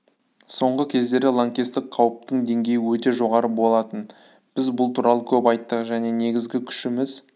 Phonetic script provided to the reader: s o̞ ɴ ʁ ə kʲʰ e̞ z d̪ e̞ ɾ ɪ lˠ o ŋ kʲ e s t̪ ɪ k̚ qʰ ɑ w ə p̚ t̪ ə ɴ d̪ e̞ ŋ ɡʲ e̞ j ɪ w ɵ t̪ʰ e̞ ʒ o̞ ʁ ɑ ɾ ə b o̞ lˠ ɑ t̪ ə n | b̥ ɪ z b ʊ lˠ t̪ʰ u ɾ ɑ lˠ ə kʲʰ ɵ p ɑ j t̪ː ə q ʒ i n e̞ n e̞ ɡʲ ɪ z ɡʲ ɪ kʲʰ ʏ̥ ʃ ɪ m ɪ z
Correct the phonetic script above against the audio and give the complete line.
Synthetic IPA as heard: s o̞ ɴ ʁ ə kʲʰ e̞ z d̪ e̞ ɾ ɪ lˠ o ŋ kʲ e s t̪ ɪ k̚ qʰ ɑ w ə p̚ t̪ ə ɴ d̪ e̞ ŋ ɡʲ e̞ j ɪ w ɵ t̪ e̞ ʒ o̞ ʁ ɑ ɾ ə b o̞ lˠ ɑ t̪ ə n | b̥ ɪ z b ʊ lˠ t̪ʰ u ɾ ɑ lˠ ə kʲʰ ɵ p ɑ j t̪ː ə q ʒ æ n e̞ n e̞ ɡʲ ɪ z ɡʲ ɪ kʲʰ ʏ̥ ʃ ɪ m ɪ z